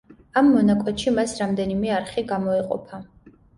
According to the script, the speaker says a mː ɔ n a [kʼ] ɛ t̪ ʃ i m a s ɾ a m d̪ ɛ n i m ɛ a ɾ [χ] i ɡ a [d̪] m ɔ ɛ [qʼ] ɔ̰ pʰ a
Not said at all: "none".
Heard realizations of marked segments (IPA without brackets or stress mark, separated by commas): kʼ, χ, none, qʼ